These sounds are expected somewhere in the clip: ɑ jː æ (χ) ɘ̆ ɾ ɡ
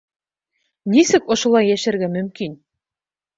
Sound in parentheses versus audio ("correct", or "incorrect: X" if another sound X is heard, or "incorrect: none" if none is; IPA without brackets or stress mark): incorrect: ʃ